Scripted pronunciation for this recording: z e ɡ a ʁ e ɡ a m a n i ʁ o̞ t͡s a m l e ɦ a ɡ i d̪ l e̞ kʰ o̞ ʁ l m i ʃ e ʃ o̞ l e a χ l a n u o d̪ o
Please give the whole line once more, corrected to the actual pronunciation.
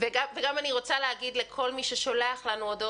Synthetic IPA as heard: v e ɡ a v e ɡ a m a n i ʁ o̞ t͡s a l e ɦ a ɡ i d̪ l e̞ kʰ o̞ l m i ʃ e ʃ o̞ l e a χ l a n u o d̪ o

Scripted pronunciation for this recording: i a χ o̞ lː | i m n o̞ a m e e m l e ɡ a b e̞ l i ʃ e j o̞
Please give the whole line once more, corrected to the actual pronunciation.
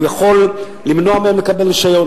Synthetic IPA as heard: j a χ o̞ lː | i m n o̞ a m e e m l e k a b e̞ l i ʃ a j o̞

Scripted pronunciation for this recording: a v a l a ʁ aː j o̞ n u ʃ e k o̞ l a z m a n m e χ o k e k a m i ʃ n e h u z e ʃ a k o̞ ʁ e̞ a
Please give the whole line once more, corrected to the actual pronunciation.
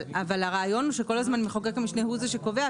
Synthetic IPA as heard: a v a l a ʁ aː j o̞ n u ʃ e k o̞ l a z m a n m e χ o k e k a m i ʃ n e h u z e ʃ e k o̞ v e̞ a

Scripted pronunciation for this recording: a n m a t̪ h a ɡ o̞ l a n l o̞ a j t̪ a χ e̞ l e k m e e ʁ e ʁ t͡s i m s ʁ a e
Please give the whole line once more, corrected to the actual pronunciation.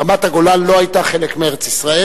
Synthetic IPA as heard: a m a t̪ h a ɡ o̞ l a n l o̞ a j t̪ a χ e̞ l e k m e e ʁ e t͡s i s ʁ a e

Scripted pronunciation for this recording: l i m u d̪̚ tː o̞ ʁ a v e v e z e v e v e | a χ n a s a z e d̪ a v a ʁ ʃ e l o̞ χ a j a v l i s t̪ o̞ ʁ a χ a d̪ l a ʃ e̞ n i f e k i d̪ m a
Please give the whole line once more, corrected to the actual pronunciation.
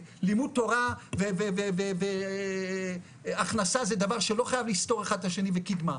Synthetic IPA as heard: l i m u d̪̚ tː o̞ ʁ a v e v e v e v e v e | a χ n a s a z e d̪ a v a ʁ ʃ e l o̞ χ a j a v l i s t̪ o̞ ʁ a χ a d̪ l a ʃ e̞ n i v e k i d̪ m a

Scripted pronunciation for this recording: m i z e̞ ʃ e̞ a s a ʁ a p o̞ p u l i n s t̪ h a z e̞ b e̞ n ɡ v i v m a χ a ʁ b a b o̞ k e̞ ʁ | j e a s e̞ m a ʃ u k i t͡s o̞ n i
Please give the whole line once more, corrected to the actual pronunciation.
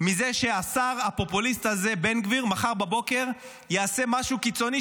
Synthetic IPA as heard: m i z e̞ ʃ e̞ a s a ʁ a p o̞ p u l i s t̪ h a z e̞ b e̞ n ɡ v i ʁ m a χ a ʁ b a b o̞ k e̞ ʁ | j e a s e̞ m a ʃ u k i t͡s o̞ n i

